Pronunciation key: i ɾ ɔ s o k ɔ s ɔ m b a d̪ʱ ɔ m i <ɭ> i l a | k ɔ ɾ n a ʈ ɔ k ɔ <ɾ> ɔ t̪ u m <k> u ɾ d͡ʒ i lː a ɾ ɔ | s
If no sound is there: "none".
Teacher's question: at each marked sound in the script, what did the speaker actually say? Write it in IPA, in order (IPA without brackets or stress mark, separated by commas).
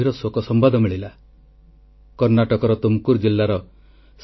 ɭ, ɾ, k